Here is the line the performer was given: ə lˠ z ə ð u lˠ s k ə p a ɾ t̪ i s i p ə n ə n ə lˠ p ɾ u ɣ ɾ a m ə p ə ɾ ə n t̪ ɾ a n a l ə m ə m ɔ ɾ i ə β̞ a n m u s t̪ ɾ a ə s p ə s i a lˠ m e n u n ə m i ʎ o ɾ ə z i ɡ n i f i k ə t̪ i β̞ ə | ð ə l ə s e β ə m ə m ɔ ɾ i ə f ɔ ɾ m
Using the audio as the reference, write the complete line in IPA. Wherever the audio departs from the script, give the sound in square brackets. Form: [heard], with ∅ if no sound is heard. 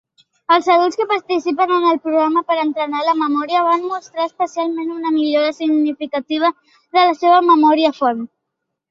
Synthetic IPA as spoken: ə lˠ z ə ð u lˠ s k ə p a ɾ t̪ i s i p ə n ə n ə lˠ p ɾ u ɣ ɾ a m ə p ə ɾ ə n t̪ ɾ [ə] n a l ə m ə m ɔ ɾ i ə β̞ a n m u s t̪ ɾ a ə s p ə s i a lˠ m e n u n ə m i ʎ o ɾ ə [s] i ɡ n i f i k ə t̪ i β̞ ə | ð ə l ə s e β ə m ə m ɔ ɾ i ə f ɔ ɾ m